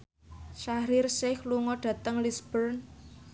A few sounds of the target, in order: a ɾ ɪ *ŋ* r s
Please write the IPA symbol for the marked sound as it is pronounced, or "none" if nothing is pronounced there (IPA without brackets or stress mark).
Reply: none